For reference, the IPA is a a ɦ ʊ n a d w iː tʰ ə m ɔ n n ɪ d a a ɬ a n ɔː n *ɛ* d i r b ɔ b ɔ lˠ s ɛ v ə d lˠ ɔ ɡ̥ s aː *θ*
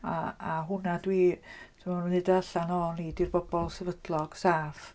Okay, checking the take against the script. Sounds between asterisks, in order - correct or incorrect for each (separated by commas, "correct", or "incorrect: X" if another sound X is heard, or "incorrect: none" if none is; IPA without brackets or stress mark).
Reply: incorrect: i, incorrect: f